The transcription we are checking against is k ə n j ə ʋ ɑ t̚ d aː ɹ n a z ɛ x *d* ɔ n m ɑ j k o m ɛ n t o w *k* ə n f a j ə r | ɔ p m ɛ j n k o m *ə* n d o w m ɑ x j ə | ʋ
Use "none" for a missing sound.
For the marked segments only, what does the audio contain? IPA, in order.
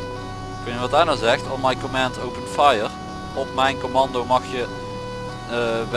t, p, ɑ

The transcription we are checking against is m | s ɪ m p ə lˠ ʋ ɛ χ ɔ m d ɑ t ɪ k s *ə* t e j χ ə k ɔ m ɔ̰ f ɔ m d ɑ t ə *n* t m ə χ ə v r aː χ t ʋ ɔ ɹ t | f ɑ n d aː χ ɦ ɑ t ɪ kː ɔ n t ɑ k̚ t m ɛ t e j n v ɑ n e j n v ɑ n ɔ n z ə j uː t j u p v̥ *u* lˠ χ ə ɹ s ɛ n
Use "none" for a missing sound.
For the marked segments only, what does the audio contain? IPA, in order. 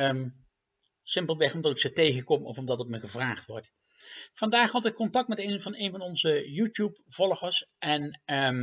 ə, none, ɔ

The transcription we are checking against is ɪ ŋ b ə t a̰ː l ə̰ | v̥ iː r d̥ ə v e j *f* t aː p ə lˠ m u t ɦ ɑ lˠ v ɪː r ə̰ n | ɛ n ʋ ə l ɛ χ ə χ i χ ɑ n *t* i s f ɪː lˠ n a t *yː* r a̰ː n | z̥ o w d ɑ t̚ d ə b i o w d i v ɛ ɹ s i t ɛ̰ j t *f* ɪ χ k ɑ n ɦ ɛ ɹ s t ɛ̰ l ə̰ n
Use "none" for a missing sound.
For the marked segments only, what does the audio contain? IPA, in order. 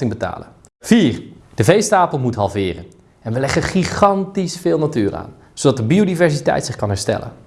s, t, yː, s

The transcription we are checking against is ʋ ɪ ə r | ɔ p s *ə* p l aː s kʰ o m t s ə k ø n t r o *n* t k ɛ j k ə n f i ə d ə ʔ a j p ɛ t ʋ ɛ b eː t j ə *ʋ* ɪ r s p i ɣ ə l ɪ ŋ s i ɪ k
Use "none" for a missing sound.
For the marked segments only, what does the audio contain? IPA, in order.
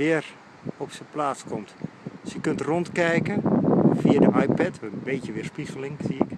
ə, n, ʋ

